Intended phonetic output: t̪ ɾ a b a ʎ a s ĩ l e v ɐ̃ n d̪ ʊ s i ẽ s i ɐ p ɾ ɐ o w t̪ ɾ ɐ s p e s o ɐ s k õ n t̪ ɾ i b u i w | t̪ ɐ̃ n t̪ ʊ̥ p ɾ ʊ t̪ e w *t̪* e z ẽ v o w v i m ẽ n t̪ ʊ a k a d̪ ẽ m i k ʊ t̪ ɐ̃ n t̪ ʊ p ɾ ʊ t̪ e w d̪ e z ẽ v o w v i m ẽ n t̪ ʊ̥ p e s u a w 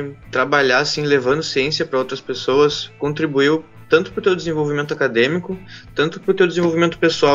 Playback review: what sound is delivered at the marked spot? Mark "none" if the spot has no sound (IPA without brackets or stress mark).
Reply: d̪